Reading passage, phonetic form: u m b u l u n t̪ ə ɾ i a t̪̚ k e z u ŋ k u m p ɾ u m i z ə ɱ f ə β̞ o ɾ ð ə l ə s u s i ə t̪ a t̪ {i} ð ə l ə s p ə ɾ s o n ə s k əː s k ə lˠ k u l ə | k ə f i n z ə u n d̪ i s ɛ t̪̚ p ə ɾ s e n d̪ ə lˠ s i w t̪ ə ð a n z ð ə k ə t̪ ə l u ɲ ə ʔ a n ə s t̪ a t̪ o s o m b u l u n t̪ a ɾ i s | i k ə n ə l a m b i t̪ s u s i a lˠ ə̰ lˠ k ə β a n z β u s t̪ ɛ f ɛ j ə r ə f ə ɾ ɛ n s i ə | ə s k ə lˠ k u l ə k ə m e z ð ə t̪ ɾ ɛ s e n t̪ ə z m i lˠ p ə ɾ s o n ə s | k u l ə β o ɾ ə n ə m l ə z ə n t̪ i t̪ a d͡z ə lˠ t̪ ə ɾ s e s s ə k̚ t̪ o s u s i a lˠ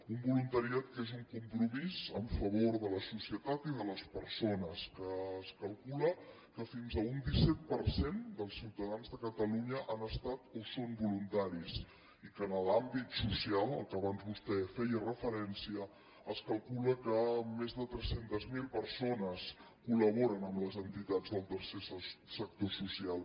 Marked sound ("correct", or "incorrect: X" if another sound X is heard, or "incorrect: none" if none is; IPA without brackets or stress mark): correct